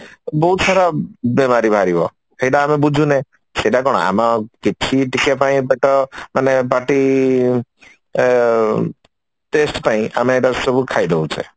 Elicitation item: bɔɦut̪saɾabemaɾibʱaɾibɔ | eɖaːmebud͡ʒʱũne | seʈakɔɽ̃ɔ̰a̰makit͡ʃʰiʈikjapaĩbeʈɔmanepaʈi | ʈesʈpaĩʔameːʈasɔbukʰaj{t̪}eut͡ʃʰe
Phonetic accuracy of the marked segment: incorrect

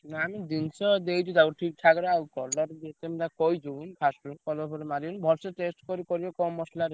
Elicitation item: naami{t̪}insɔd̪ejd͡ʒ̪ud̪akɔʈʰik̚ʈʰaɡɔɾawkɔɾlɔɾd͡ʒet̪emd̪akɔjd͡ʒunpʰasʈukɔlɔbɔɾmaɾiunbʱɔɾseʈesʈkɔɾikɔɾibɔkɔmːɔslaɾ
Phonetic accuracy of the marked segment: incorrect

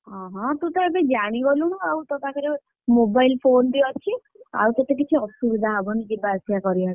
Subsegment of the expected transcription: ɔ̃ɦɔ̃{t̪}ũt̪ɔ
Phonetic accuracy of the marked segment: correct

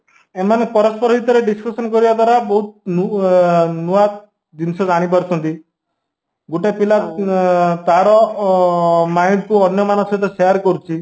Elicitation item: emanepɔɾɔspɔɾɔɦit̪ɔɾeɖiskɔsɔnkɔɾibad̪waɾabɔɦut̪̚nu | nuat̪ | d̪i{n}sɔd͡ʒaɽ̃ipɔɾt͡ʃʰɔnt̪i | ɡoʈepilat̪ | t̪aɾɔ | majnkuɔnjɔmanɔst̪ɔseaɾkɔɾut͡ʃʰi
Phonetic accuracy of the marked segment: correct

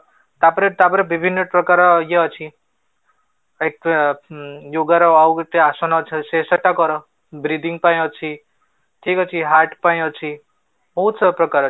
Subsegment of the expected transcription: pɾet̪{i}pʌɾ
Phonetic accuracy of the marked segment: incorrect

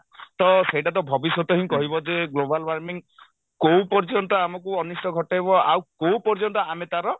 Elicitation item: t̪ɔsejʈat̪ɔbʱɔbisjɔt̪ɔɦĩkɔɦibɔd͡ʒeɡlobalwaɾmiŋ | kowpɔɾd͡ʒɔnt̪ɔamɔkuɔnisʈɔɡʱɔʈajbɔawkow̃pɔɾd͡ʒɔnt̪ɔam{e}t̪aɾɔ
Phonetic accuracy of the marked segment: correct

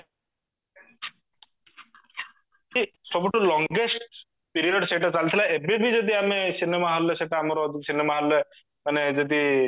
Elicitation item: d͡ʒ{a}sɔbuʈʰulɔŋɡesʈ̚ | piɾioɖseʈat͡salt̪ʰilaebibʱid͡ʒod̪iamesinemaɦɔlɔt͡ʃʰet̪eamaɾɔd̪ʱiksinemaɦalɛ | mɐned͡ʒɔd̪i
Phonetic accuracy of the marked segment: incorrect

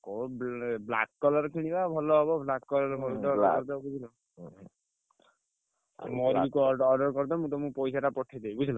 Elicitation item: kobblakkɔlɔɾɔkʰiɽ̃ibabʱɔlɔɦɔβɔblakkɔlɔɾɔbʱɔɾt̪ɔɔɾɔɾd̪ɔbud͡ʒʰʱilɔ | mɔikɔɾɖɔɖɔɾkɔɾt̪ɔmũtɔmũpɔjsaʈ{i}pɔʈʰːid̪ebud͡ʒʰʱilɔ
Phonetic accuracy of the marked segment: incorrect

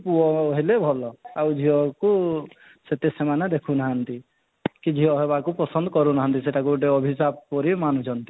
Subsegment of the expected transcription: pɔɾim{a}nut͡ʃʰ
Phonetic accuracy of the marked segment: correct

